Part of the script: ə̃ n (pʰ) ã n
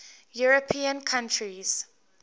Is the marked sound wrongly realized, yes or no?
yes